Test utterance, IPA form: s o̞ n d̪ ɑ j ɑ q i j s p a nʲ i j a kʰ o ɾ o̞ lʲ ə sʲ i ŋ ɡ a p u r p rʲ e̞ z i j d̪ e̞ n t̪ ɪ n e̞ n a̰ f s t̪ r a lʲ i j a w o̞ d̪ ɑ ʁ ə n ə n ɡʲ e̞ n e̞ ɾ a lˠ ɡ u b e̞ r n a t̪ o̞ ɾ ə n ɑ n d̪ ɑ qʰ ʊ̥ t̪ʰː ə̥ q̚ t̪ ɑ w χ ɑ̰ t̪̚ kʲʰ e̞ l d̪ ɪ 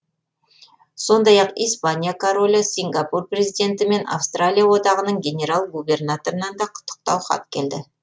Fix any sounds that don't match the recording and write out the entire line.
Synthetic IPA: s o̞ n d̪ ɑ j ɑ q i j s p a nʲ i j a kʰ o ɾ o̞ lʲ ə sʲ i ŋ ɡ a p u r p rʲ e̞ z i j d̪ e̞ n t̪ ɪ m e̞ n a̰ f s t̪ r a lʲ i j a w o̞ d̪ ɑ ʁ ə n ə ɴ ɡʲ e̞ n e̞ ɾ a lˠ ɡ u b e̞ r n a t̪ o̞ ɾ ə n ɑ n d̪ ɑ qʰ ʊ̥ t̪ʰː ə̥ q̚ t̪ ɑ w χ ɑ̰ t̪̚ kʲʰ e̞ l d̪ ɪ